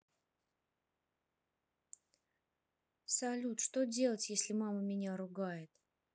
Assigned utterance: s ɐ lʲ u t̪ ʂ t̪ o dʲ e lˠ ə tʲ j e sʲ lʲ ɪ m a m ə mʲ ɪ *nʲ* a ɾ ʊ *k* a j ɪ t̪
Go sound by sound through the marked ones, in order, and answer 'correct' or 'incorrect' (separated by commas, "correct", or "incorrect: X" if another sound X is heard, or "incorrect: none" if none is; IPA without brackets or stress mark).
correct, incorrect: ɡ